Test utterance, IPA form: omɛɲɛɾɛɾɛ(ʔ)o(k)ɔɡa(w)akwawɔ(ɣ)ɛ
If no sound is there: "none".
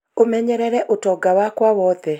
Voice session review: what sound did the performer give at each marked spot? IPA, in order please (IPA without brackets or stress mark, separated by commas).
ʔ, t, w, ð